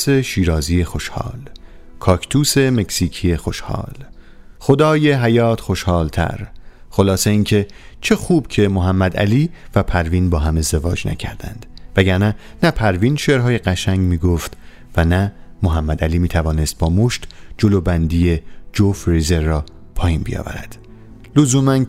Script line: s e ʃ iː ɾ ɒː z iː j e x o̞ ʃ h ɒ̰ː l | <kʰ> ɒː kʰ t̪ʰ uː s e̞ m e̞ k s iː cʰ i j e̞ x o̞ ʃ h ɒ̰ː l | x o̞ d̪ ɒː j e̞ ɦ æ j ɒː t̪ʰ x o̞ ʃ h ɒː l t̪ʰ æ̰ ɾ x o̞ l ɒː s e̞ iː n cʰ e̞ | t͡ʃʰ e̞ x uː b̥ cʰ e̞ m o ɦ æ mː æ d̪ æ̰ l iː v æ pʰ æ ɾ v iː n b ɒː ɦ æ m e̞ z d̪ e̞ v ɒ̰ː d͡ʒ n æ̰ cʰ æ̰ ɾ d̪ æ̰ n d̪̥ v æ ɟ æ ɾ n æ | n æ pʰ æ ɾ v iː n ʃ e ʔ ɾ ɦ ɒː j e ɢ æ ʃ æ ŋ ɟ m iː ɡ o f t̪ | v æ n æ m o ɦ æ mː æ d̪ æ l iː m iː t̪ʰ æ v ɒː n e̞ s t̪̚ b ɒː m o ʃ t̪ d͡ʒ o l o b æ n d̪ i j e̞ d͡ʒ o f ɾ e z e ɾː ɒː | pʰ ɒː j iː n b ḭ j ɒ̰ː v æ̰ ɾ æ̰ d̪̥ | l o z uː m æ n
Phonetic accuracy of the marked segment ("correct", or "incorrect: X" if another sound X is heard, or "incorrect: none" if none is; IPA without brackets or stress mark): correct